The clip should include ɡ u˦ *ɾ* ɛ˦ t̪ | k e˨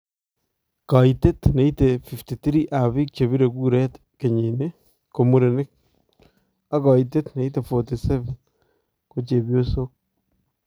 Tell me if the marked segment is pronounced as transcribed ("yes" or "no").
yes